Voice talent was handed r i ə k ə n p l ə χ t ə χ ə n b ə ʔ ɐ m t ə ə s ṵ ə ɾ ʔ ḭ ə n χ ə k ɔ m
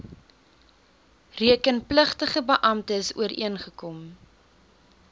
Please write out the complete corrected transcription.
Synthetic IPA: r i ə k ə n p l ə χ t ə χ ə b ə ʔ ɐ m t ə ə s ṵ ə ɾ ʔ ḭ ə n χ ə k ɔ m